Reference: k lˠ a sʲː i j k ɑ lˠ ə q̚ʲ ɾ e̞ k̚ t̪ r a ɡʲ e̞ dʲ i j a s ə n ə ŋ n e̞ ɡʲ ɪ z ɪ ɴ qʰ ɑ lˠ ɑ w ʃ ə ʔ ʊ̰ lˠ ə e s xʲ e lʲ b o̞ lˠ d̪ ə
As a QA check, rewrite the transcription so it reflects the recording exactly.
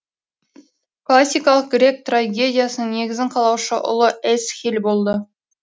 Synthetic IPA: k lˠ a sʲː i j k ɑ lˠ ə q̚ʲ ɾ e̞ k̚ t̪ r a ɡʲ e̞ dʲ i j a s ə n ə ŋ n e̞ ɡʲ ɪ z ɪ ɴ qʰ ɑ lˠ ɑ w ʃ ə ʔ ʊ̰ lˠ ə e s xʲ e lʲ b o̞ lˠ d̪ ə